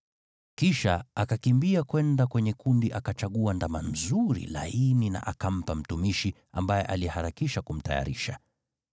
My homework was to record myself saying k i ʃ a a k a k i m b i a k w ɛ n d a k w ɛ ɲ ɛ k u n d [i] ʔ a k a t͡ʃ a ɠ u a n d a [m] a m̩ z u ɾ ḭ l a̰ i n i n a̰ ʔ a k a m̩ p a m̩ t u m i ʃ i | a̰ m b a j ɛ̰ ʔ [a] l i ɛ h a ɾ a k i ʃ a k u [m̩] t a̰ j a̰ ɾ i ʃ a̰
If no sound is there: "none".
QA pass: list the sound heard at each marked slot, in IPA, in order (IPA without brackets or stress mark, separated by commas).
i, m, a, m̩